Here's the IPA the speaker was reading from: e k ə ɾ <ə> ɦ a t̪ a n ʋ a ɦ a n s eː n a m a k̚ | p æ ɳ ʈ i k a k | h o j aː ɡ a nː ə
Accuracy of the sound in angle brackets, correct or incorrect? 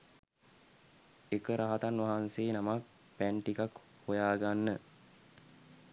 incorrect